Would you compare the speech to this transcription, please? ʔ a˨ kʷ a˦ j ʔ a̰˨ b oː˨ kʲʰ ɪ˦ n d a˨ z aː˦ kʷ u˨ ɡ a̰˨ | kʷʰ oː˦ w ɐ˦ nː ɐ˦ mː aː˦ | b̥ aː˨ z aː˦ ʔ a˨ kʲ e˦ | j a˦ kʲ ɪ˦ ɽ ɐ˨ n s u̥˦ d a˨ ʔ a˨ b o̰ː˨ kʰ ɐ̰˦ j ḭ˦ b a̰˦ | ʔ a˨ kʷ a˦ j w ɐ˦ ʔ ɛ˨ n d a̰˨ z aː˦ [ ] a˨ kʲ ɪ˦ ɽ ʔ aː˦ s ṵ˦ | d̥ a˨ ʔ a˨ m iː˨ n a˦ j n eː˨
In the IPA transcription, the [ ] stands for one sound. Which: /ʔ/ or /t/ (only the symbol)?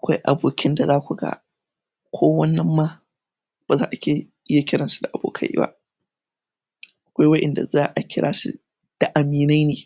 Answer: ʔ